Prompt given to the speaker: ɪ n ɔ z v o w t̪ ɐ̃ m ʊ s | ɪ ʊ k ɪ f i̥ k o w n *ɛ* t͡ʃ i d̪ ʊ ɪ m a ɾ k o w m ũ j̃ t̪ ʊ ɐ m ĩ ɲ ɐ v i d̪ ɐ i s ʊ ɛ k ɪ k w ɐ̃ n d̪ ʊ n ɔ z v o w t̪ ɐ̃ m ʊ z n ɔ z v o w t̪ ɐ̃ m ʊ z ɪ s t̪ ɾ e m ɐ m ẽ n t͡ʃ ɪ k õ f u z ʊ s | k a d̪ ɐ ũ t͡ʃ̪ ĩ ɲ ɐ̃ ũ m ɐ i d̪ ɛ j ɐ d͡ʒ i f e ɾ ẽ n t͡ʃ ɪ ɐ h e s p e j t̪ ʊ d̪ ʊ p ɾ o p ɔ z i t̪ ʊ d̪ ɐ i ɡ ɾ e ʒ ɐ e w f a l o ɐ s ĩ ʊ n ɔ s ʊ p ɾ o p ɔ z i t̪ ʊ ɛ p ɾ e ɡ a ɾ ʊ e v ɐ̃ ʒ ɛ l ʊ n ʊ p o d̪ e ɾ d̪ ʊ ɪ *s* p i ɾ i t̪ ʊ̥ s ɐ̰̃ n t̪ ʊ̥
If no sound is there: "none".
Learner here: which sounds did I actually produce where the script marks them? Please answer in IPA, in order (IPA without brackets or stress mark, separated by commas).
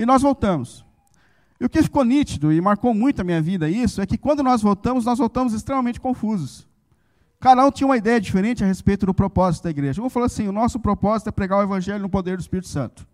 i, s